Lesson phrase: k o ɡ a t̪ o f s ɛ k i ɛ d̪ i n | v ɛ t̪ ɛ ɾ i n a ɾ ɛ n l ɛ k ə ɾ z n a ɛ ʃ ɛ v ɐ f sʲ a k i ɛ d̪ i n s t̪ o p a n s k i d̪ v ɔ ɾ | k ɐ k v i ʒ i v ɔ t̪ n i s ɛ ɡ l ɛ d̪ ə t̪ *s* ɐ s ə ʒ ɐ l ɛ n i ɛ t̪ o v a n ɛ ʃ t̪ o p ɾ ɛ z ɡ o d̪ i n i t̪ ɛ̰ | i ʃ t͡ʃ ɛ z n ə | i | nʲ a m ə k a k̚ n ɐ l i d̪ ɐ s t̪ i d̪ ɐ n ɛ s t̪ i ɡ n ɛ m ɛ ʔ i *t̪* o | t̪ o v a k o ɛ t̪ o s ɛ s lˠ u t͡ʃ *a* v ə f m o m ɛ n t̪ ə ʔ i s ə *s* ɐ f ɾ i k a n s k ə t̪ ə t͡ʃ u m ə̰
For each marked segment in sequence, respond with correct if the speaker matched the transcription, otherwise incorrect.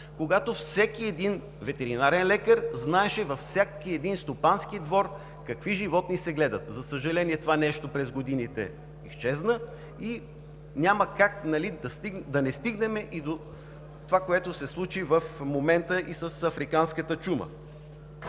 incorrect: z, incorrect: d̪, incorrect: i, correct

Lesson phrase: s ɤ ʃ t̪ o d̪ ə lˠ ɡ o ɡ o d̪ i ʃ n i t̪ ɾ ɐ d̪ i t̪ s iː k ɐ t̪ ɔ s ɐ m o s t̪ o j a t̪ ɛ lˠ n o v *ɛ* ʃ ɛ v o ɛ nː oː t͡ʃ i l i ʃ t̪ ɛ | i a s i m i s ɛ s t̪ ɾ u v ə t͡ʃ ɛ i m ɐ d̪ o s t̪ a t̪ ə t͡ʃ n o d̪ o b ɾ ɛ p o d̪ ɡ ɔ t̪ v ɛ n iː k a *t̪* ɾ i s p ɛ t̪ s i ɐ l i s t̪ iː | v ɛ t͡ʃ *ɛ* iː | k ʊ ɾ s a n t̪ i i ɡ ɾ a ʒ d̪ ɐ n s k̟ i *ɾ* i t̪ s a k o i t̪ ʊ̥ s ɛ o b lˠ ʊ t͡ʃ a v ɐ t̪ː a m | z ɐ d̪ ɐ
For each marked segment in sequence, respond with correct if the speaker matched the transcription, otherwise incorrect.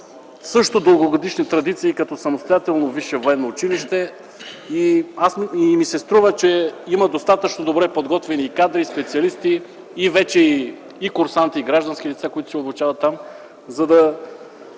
incorrect: i, incorrect: d̪, correct, incorrect: l

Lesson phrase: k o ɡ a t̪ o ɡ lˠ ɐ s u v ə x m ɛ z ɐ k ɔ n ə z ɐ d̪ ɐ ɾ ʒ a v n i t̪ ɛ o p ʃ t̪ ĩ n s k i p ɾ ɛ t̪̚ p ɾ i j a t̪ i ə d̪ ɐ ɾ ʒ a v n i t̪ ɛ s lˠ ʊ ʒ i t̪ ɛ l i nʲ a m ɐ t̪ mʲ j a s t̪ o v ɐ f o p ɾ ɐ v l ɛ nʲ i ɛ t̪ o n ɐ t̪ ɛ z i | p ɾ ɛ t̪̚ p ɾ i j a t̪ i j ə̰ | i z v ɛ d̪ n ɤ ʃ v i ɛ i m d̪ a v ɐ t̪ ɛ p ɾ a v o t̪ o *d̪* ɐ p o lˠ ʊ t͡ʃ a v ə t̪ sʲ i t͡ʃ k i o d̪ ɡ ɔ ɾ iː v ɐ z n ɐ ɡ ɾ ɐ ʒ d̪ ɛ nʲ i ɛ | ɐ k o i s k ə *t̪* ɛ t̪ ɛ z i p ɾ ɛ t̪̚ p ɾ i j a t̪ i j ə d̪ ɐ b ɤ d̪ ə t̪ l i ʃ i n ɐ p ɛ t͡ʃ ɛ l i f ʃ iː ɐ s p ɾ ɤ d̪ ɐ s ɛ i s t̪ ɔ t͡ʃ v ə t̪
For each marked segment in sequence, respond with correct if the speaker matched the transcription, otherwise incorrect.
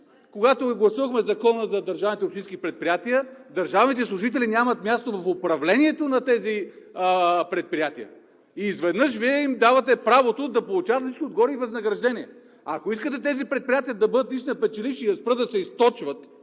correct, correct

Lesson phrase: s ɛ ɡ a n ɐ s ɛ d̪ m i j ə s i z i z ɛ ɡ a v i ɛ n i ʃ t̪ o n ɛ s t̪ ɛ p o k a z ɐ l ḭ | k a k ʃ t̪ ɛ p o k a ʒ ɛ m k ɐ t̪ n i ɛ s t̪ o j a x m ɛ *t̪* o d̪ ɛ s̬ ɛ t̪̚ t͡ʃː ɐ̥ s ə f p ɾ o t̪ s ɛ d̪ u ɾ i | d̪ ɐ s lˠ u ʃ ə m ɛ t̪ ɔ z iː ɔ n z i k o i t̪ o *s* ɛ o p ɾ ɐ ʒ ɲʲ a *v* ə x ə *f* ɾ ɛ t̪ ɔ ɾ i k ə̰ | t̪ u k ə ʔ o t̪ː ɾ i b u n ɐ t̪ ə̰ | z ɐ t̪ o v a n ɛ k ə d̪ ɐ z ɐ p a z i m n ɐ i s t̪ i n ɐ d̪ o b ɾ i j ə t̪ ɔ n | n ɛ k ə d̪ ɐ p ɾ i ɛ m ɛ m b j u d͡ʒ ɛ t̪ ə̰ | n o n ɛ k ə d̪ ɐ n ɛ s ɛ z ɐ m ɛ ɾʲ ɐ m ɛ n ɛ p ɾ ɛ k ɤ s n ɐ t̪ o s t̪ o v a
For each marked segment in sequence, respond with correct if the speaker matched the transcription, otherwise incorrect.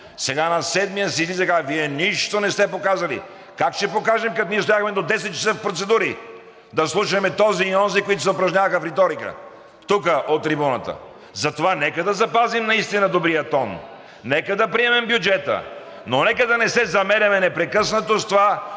incorrect: d̪, correct, correct, correct

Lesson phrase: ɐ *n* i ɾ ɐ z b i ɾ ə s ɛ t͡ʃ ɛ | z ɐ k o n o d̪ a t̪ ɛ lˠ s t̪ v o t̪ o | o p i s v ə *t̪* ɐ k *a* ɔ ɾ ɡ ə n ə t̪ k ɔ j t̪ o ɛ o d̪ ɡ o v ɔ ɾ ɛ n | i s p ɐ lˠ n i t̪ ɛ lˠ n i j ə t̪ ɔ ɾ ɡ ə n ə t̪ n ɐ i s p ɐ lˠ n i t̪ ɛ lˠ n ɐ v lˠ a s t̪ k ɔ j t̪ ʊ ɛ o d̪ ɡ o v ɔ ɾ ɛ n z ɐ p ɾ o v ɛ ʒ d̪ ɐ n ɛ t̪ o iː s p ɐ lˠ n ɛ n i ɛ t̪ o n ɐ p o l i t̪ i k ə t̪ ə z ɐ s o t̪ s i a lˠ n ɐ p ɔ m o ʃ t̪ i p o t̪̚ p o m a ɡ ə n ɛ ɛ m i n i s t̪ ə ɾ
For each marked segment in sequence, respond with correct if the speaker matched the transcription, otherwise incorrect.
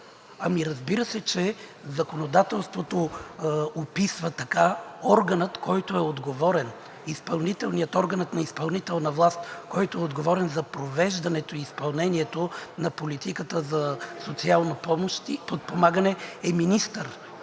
incorrect: m, correct, correct

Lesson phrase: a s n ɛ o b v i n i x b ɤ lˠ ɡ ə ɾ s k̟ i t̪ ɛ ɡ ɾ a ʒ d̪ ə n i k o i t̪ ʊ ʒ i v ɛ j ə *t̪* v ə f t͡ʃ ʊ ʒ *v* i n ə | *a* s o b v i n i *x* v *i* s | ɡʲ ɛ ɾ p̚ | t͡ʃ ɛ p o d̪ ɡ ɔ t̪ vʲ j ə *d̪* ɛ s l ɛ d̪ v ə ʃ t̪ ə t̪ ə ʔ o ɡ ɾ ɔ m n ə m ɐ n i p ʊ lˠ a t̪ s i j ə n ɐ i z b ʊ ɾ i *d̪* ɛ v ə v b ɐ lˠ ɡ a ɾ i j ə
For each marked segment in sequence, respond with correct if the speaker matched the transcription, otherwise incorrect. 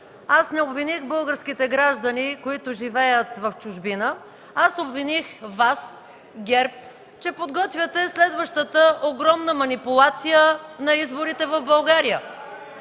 correct, incorrect: b, correct, correct, incorrect: a, incorrect: t̪, incorrect: t̪

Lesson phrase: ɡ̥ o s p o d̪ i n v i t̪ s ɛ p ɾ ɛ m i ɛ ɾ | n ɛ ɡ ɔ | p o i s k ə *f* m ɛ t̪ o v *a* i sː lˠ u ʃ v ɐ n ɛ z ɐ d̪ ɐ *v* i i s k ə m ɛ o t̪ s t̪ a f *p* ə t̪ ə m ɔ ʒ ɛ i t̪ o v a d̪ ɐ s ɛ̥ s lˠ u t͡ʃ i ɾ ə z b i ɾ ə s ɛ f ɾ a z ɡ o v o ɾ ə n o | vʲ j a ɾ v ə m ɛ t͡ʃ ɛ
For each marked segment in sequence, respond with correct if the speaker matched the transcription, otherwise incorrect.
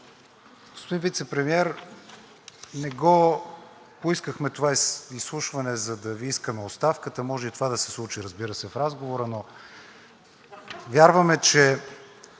incorrect: x, correct, correct, incorrect: k

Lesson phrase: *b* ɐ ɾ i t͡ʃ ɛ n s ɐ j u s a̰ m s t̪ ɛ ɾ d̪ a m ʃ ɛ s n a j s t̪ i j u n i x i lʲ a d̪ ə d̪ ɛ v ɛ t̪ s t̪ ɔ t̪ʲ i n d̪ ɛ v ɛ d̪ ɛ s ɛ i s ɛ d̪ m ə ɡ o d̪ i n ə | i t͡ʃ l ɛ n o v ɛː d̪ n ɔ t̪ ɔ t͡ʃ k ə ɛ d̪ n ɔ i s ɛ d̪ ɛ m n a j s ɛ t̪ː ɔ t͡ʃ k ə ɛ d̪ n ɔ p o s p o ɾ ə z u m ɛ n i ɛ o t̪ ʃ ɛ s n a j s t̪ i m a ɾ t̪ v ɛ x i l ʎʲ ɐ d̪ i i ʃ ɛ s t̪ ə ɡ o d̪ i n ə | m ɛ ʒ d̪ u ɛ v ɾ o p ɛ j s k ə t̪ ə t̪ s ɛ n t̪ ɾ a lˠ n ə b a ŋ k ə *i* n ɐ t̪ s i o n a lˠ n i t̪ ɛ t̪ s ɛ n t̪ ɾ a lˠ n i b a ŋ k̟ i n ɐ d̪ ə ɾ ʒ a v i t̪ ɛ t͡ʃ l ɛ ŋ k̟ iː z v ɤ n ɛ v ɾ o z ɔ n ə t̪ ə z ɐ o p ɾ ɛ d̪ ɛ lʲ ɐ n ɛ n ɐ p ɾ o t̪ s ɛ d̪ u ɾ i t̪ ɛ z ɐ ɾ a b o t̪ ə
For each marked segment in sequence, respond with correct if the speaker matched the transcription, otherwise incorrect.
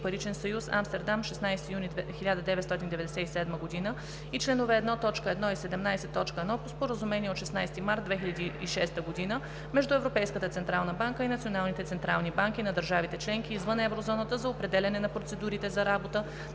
incorrect: p, correct

